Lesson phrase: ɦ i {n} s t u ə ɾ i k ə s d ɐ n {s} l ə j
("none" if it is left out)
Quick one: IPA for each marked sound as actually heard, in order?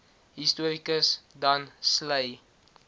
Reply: none, s

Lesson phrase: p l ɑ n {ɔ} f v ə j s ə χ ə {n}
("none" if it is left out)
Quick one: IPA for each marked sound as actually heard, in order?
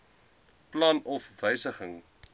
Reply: ɔ, ŋ

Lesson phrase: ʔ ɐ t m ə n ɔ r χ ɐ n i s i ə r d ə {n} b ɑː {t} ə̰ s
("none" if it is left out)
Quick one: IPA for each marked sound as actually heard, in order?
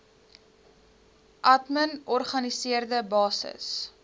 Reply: none, s

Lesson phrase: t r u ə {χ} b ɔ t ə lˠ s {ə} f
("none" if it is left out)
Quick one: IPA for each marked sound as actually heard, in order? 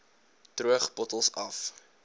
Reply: χ, ɐ

